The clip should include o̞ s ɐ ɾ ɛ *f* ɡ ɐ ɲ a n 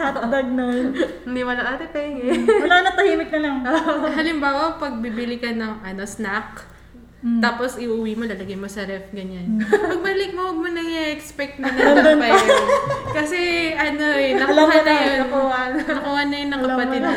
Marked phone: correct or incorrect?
correct